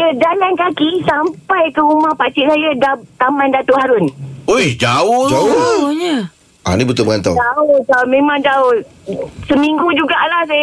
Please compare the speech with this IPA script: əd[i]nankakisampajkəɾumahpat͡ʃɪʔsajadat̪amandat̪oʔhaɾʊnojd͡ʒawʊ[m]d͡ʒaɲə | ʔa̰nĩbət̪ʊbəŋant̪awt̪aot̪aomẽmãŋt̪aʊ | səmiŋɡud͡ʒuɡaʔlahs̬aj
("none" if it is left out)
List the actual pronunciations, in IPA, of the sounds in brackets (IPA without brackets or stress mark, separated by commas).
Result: a, none